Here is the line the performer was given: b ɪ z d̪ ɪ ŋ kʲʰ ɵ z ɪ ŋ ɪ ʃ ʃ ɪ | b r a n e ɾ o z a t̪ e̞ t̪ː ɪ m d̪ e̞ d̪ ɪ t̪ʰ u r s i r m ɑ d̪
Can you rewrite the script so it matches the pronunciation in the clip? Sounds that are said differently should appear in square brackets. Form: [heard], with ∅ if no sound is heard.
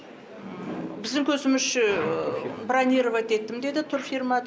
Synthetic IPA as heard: b ɪ z d̪ ɪ ŋ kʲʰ ɵ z ɪ [m] ɪ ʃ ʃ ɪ | b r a n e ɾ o [v] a t̪ e̞ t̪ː ɪ m d̪ e̞ d̪ ɪ t̪ʰ [ʊ] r [f] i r m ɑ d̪